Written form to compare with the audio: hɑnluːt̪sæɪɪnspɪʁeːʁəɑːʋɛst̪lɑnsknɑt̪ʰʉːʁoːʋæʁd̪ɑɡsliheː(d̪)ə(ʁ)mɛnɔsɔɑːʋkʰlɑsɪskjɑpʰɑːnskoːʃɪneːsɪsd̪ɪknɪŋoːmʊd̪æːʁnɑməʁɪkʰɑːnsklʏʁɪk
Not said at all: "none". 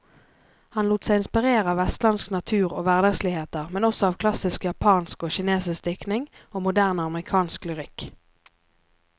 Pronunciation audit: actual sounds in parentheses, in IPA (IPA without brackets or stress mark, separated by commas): t̪, ʁ